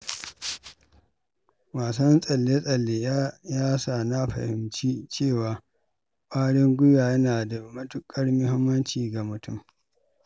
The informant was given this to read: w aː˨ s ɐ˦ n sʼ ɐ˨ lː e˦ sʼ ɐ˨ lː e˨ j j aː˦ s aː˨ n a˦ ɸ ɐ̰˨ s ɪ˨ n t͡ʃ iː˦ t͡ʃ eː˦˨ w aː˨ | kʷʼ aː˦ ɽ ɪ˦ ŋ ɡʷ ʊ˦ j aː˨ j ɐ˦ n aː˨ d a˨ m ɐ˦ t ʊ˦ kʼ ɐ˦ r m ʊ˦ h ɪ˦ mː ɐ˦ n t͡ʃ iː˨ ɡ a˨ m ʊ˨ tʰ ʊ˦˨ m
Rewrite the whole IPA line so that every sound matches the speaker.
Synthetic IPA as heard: w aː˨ s ɐ˦ n sʼ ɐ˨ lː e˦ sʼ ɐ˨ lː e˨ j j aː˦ s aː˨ n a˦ ɸ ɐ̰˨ h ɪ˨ m t͡ʃ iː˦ t͡ʃ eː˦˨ w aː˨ | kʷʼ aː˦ ɽ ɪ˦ ŋ ɡʷ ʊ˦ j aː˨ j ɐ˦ n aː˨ d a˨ m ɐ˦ t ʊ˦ kʼ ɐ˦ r m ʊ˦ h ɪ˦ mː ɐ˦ n t͡ʃ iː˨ ɡ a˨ m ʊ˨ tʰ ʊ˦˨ m